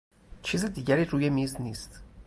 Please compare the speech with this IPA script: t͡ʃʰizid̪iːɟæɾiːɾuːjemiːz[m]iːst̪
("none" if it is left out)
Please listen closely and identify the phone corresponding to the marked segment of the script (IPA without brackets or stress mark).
n